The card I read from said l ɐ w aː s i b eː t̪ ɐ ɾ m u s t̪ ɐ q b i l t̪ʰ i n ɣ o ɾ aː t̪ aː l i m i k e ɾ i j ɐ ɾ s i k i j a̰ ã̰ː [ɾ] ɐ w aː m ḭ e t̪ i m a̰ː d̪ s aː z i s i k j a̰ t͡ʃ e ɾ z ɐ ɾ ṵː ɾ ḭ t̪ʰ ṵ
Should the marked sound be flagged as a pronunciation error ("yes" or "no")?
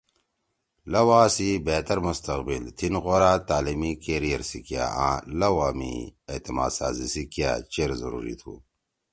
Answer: yes